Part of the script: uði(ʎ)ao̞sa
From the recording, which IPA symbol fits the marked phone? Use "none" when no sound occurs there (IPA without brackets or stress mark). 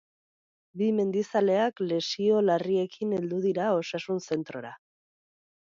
ɾ